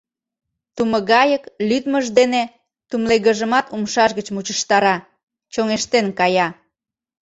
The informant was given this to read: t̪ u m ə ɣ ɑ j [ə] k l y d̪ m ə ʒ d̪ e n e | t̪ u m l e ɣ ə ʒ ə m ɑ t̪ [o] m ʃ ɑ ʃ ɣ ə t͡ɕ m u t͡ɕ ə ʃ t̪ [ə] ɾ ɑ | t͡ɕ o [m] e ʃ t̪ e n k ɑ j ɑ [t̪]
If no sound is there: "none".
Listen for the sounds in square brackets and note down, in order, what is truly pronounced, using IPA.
ə, u, ɑ, ŋ, none

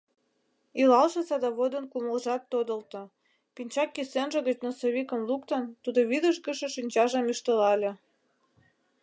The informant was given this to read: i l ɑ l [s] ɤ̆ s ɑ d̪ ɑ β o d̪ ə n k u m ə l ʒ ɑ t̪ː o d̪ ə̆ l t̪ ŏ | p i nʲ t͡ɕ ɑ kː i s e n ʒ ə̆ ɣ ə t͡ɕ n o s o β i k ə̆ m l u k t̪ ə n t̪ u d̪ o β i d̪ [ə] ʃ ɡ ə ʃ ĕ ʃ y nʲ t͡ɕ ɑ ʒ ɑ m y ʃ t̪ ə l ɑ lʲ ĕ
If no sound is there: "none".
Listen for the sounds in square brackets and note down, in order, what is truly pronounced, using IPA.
ʃ, ə

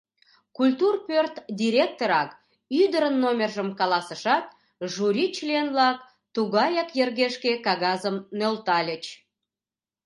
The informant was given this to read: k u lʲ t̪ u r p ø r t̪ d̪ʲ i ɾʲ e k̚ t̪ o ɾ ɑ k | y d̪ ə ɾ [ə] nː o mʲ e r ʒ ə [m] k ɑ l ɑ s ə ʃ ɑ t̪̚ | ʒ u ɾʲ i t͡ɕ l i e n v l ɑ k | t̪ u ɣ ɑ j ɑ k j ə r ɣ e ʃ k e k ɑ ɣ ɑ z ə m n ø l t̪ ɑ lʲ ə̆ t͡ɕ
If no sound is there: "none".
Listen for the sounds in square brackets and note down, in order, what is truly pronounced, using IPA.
ə, m

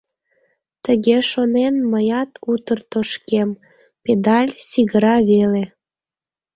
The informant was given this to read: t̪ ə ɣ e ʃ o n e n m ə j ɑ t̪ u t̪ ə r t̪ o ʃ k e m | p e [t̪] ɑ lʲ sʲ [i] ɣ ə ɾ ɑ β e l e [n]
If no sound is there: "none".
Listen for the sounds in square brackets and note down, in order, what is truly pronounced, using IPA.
d̪, i, none

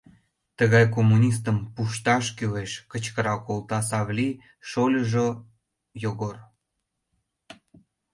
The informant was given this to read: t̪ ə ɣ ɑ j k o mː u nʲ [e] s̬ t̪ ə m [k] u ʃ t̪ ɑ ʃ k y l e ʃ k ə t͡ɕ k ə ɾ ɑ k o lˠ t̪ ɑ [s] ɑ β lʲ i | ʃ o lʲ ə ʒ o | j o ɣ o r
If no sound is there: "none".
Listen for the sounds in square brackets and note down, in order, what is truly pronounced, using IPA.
i, p, s

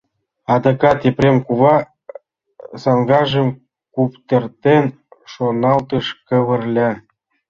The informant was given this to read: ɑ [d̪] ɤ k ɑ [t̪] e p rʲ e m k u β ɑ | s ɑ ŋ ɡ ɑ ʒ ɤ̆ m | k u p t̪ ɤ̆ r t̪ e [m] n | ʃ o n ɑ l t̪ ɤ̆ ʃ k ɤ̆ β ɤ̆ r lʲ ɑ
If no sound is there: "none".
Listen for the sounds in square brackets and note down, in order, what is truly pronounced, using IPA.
d̪, t̪, none

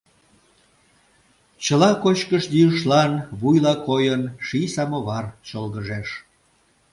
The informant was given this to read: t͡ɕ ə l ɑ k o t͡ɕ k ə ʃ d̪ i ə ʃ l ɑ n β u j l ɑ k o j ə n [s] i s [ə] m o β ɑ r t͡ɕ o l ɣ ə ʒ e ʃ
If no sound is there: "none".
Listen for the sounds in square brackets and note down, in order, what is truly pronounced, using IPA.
ʃ, ɑ

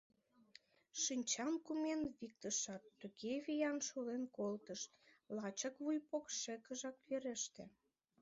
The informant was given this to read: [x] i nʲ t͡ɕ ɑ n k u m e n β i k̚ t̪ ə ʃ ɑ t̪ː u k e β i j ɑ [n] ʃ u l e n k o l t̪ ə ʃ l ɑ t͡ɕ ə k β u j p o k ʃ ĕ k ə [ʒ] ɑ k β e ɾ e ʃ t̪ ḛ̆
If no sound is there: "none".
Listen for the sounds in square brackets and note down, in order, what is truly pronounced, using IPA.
ʃ, n, ʒ

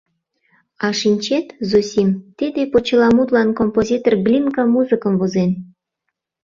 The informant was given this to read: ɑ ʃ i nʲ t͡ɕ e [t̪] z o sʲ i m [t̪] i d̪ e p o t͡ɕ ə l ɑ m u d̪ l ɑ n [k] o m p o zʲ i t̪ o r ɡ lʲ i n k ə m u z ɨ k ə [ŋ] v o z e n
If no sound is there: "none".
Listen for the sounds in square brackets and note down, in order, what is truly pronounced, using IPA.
t̪, t̪, k, m

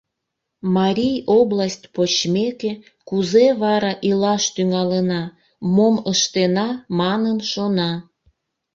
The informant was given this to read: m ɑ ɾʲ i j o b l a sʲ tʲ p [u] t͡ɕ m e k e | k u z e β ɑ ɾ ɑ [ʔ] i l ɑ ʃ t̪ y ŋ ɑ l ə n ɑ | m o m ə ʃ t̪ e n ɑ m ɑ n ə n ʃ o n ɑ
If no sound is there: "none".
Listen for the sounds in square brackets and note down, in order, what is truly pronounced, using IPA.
o, ʔ

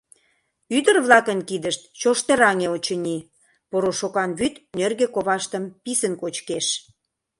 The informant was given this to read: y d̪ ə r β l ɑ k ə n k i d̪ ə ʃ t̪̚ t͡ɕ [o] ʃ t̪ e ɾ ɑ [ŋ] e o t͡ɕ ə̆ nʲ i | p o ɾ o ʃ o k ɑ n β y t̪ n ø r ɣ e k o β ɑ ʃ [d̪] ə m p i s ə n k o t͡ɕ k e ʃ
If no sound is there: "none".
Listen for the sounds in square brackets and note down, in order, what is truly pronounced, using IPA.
o, ŋ, t̪

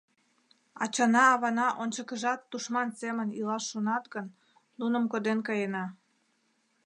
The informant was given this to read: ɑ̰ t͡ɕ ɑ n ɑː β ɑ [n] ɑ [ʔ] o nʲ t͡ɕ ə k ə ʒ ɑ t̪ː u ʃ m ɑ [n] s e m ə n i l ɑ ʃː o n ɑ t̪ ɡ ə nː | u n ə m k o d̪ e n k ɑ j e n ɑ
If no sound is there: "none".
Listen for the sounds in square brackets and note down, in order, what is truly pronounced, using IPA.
n, ʔ, n

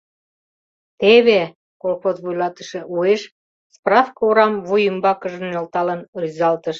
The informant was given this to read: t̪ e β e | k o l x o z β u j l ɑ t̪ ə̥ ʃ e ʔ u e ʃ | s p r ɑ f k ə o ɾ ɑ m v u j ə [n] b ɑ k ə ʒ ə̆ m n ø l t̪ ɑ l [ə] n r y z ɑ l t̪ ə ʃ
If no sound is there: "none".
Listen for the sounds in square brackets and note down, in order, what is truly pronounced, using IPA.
m, ə

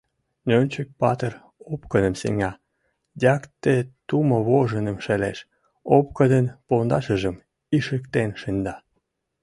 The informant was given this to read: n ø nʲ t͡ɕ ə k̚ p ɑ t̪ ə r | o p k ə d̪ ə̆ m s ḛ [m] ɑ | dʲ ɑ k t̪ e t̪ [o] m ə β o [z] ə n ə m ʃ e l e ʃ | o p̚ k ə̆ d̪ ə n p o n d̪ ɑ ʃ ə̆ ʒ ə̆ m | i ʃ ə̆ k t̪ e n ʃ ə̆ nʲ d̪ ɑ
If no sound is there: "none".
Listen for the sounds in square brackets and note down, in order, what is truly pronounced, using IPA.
ŋ, u, ʒ

